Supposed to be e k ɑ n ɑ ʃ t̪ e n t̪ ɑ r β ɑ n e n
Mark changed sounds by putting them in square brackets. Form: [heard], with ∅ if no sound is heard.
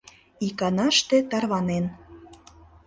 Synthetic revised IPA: [i] k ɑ n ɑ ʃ t̪ e [∅] t̪ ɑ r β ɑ n e n

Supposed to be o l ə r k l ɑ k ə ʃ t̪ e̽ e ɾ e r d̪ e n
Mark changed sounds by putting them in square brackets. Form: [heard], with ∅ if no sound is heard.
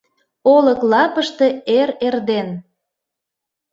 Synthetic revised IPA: o l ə [∅] k l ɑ [p] ə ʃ t̪ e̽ e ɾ e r d̪ e n

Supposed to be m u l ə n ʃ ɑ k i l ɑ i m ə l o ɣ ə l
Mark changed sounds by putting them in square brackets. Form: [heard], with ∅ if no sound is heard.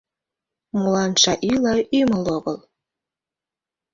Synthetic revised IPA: m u l [ɑ] n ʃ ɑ [ʔ] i l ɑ [y] m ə l o ɣ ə l

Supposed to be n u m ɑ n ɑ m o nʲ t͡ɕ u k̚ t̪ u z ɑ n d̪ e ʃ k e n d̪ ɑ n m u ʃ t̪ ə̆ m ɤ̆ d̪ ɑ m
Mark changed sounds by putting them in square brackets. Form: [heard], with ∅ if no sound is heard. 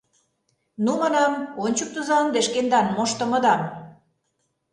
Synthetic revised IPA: n u m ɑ n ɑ m o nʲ t͡ɕ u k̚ t̪ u z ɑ n d̪ e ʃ k e n d̪ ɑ n m [o] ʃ t̪ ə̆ m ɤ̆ d̪ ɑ m

